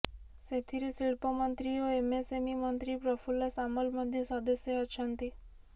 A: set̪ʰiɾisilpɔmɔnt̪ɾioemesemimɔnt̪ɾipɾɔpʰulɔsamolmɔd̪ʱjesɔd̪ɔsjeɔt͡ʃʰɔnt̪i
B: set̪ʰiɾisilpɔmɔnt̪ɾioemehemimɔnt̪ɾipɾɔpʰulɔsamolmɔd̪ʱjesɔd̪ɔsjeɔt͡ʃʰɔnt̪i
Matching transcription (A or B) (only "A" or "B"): A